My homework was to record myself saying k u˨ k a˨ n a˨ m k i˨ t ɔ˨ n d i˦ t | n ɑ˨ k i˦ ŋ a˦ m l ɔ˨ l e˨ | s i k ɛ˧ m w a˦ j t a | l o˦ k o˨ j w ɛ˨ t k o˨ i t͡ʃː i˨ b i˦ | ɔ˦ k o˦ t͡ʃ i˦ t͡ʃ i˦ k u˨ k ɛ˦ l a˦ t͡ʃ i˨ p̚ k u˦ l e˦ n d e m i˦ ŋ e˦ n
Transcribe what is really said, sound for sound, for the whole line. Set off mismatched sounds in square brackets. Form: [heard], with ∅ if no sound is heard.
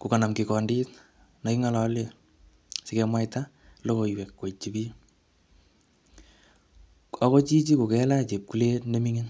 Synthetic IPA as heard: k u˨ k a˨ n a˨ m k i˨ [k] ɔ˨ n d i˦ t | n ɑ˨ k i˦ ŋ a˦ [∅] l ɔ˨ l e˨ | s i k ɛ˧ m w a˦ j t a | l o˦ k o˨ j w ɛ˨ [k] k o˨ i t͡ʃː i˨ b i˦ | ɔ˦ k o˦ t͡ʃ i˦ t͡ʃ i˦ k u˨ k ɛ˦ l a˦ t͡ʃ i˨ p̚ k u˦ l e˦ n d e m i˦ ŋ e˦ n